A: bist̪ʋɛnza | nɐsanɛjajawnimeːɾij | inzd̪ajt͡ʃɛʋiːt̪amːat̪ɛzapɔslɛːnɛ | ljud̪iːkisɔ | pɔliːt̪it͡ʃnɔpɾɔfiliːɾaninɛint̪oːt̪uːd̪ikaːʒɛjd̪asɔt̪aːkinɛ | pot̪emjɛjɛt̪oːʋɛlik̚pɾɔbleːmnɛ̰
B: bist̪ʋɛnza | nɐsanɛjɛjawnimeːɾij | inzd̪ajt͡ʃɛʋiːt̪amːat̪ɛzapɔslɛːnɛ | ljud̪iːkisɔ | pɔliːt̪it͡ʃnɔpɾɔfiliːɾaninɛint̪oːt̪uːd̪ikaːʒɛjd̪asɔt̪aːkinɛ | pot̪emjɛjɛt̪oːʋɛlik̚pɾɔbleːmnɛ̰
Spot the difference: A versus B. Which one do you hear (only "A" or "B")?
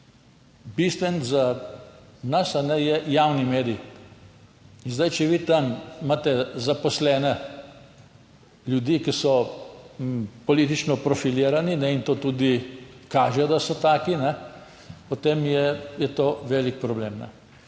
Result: B